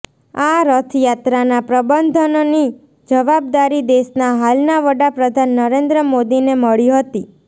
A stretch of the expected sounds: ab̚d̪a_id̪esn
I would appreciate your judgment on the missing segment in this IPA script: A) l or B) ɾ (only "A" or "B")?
B